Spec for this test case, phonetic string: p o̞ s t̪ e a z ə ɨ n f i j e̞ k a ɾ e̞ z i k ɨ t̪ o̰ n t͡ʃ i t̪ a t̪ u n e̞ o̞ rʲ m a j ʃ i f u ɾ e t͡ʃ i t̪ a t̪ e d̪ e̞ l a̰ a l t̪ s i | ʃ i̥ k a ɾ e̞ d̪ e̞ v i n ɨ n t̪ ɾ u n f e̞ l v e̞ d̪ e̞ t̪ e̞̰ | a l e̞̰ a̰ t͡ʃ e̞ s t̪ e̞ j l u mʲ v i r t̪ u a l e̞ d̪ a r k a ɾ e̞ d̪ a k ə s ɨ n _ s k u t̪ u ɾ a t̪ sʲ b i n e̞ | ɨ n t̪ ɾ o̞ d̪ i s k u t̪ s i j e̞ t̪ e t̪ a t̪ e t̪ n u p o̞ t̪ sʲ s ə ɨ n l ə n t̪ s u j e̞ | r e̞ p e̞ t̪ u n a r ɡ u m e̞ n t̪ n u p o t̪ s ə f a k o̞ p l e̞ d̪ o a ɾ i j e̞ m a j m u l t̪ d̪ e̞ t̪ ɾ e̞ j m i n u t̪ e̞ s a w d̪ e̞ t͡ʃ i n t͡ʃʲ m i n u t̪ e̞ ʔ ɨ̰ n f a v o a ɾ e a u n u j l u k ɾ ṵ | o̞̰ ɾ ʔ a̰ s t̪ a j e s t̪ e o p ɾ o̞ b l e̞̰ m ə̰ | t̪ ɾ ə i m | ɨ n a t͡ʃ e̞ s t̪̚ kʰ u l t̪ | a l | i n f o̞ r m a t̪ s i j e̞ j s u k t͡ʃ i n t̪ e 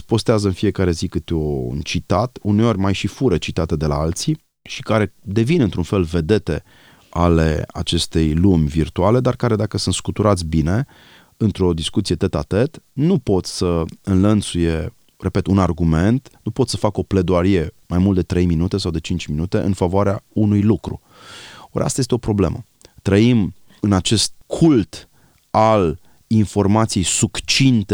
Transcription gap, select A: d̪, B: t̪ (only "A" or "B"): B